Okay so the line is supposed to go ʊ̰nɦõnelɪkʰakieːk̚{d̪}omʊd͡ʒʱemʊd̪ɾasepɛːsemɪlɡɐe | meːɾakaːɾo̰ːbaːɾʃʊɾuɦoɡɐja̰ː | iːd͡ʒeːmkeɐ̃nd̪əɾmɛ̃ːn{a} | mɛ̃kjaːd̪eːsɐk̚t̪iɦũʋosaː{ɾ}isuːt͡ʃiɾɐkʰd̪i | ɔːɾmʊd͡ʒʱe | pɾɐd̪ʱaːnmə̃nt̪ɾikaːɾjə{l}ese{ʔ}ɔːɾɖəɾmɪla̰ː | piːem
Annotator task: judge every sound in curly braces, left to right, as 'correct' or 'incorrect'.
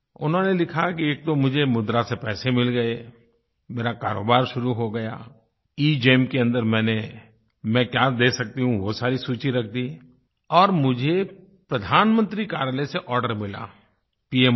incorrect, incorrect, correct, correct, correct

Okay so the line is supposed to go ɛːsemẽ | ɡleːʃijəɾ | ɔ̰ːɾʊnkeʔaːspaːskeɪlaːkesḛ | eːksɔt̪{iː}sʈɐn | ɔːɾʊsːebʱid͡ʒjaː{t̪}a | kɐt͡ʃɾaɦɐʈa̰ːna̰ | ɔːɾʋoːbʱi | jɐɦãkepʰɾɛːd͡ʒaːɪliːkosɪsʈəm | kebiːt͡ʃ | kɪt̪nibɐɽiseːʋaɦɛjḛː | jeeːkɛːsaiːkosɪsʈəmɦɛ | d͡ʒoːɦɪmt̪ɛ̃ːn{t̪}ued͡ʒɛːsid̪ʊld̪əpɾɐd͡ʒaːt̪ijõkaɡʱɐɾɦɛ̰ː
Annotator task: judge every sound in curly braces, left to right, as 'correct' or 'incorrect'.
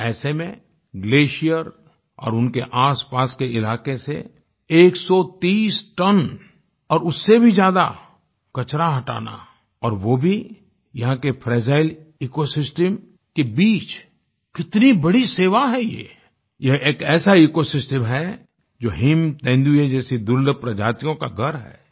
correct, incorrect, incorrect

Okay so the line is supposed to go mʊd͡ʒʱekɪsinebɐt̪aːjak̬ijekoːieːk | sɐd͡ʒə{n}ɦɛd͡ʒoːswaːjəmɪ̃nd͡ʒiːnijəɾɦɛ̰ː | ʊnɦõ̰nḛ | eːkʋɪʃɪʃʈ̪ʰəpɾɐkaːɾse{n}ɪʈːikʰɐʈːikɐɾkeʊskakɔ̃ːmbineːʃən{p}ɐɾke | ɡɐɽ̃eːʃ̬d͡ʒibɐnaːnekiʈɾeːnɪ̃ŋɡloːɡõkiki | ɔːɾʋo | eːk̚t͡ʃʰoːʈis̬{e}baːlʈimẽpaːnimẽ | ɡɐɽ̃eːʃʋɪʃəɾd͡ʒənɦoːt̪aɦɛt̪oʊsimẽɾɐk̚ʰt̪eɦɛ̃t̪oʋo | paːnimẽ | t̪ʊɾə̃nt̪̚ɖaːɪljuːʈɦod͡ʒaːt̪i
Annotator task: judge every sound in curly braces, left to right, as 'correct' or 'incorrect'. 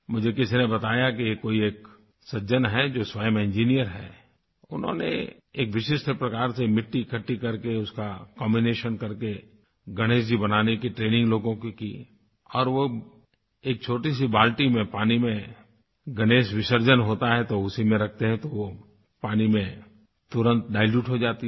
correct, incorrect, incorrect, incorrect

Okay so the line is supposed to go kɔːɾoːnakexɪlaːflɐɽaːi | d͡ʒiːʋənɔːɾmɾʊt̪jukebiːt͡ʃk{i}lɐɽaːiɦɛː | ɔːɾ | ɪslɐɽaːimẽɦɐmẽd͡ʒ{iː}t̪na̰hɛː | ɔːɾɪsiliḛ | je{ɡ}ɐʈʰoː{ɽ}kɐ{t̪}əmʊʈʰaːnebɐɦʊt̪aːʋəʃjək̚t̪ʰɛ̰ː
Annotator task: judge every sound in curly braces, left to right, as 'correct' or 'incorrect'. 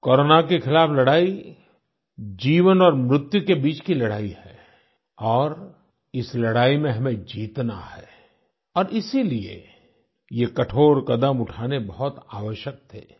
correct, correct, incorrect, incorrect, incorrect

